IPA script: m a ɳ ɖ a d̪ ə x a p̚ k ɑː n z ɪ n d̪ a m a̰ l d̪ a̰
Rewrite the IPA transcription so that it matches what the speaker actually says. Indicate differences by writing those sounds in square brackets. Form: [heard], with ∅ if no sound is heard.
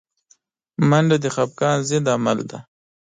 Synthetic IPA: m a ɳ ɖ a d̪ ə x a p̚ k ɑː n z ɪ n d̪ a m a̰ l d̪ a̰